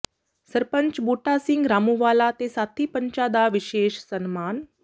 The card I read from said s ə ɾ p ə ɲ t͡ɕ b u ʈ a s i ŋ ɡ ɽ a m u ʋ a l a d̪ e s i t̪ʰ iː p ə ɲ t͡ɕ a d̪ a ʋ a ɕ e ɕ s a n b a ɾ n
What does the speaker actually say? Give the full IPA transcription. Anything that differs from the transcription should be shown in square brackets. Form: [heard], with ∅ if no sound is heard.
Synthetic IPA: s ə ɾ p ə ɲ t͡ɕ b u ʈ a s i ŋ ɡ [ɾ] a m u ʋ a l a [t̪] e s [a] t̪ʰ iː p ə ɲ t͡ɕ a d̪ a ʋ [i] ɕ e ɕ s [ə] n [m] a [∅] n

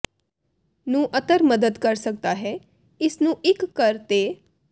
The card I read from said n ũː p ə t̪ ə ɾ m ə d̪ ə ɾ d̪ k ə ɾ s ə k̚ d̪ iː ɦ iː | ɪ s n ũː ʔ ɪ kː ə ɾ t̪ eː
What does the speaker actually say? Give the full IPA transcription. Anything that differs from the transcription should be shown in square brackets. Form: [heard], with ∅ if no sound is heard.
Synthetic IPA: n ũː [ʔ] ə t̪ ə ɾ m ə d̪ ə [∅] d̪ k ə ɾ s ə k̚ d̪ [aː] ɦ [ɛː] | ɪ s n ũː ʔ ɪ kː ə ɾ t̪ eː

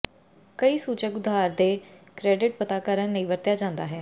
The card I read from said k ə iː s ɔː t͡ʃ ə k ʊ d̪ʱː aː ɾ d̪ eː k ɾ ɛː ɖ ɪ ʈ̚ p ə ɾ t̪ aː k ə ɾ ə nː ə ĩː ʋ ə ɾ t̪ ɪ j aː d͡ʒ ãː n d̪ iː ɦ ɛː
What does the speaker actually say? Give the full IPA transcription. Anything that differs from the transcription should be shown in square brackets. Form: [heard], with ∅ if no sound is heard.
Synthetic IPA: k ə iː s [uː] t͡ʃ ə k ʊ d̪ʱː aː ɾ d̪ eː k ɾ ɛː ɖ ɪ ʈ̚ p ə [∅] t̪ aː k ə ɾ ə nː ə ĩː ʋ ə ɾ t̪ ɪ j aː d͡ʒ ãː n d̪ [aː] ɦ ɛː

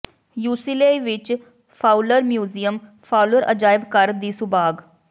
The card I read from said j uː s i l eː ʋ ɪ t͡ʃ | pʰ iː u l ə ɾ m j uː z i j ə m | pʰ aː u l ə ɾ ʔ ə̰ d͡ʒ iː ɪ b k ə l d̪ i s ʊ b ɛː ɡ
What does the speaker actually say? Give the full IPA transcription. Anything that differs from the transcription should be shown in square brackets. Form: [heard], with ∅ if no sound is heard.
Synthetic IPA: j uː s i l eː ʋ ɪ t͡ʃ | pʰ [aː] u l ə ɾ m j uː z i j ə m | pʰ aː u l ə ɾ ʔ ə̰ d͡ʒ [aː] ɪ b k ə [ɾ] d̪ [iː] s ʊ b [aː] ɡ

